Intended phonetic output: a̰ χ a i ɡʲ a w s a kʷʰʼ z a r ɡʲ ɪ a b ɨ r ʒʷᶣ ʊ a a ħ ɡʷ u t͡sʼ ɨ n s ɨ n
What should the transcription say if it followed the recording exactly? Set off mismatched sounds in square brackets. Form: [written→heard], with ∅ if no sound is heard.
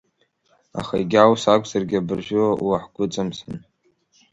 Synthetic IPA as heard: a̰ χ a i ɡʲ a w s a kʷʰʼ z a r ɡʲ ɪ a b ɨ r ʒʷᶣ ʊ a a ħ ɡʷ [u→ʊ] t͡sʼ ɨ [n→m] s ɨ n